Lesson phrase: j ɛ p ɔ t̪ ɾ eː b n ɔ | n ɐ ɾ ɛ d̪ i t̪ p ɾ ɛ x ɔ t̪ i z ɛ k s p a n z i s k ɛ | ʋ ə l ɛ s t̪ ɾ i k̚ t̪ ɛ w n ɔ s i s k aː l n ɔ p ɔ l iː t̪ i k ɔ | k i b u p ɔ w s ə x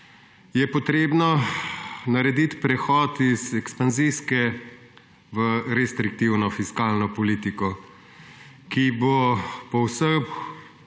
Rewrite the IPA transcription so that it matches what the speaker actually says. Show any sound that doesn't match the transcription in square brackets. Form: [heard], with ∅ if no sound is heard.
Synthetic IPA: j ɛ p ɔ t̪ ɾ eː b n ɔ | n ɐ ɾ ɛ d̪ i t̪ p ɾ ɛ x ɔ t̪ i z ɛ k s p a n z i s k ɛ | ʋ ə [ɾ] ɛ s t̪ ɾ i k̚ t̪ [i] w n ɔ [f] i s k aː l n ɔ p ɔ l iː t̪ i k ɔ | k i b [o] p ɔ w s ə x